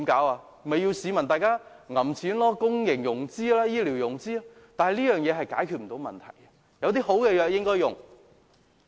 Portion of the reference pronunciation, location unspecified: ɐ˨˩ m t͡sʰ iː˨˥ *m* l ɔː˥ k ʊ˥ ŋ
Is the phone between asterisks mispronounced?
yes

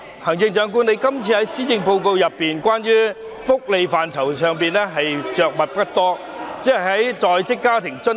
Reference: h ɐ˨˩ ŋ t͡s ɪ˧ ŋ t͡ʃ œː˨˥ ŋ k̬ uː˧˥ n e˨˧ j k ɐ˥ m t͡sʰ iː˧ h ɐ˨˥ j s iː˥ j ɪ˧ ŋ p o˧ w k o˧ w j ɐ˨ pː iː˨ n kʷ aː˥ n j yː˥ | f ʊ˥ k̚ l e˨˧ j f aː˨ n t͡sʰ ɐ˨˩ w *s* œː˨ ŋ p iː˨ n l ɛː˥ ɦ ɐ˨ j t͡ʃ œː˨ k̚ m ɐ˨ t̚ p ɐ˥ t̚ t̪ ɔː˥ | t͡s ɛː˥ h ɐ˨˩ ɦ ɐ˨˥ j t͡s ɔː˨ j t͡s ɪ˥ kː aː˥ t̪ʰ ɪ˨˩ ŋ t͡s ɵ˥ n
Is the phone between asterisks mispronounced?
no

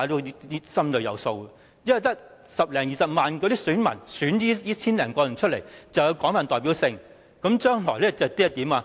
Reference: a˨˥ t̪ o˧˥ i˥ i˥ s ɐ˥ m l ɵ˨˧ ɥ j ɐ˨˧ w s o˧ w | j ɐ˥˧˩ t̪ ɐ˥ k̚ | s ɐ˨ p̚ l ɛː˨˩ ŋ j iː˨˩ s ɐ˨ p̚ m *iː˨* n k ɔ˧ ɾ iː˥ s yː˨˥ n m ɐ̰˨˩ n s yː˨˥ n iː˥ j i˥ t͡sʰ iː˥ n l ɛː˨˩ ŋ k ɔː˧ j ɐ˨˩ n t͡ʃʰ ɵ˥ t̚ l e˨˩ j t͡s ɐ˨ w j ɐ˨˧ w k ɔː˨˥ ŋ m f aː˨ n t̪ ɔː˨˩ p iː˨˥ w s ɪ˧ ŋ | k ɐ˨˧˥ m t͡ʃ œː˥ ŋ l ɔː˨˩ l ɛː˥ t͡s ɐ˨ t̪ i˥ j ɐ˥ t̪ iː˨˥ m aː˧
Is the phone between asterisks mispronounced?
yes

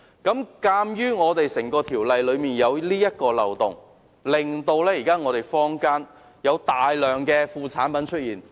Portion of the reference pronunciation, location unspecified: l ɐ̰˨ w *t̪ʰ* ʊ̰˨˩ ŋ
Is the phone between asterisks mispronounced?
yes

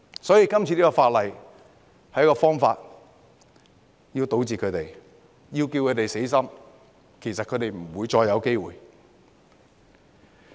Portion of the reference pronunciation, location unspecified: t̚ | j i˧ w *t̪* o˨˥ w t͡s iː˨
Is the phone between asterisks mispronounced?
no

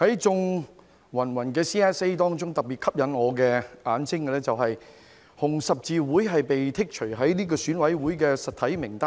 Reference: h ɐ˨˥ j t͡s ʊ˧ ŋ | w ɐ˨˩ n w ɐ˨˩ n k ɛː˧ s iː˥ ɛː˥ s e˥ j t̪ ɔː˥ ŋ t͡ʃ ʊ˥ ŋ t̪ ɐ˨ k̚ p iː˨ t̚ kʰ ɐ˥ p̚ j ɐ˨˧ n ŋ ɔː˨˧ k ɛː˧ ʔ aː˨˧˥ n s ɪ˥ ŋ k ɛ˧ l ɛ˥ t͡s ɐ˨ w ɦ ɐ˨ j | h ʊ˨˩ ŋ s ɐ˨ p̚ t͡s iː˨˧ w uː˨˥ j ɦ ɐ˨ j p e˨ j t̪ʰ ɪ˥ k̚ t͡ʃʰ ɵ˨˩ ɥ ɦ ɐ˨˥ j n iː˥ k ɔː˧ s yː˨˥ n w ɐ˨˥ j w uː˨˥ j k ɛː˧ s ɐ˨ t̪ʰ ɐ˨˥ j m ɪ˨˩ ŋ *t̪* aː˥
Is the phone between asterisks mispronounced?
no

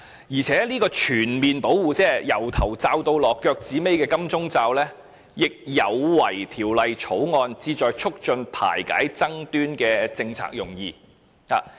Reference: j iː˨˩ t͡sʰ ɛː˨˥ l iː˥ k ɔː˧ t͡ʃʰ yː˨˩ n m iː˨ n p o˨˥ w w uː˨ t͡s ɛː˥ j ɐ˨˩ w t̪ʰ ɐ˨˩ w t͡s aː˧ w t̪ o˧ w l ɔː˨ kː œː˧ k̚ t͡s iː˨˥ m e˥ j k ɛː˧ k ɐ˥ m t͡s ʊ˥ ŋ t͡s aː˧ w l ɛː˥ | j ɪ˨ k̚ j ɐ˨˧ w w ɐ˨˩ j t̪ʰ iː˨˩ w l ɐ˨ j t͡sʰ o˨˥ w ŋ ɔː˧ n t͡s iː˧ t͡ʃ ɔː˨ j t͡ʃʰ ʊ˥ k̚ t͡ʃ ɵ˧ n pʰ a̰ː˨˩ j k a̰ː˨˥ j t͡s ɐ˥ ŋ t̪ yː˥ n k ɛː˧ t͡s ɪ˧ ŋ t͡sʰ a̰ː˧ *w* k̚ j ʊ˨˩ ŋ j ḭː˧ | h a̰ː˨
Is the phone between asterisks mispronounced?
yes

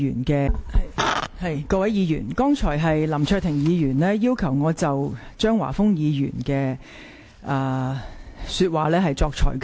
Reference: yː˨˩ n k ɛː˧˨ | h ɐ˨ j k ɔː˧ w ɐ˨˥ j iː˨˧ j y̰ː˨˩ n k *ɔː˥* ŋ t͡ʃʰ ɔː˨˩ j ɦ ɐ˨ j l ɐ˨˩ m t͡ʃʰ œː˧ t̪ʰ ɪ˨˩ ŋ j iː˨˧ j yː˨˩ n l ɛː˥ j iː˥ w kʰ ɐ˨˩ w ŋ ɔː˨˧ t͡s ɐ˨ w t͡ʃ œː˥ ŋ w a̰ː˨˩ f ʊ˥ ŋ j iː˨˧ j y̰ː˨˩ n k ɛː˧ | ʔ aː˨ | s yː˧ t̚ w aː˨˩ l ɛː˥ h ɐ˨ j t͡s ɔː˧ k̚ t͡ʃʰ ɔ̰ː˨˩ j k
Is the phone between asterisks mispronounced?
no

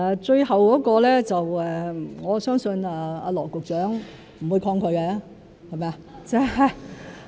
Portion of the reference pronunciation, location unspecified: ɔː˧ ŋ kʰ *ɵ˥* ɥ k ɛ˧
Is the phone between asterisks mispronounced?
yes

